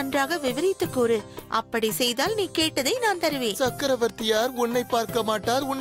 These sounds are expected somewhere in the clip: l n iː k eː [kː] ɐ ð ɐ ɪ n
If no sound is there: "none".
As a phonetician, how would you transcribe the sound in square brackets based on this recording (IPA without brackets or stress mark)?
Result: ʈː